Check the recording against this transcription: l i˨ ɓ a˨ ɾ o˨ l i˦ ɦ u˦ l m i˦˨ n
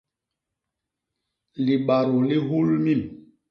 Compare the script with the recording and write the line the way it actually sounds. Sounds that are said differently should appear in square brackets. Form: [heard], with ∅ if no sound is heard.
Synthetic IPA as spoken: l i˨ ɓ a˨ ɾ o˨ l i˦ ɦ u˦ l m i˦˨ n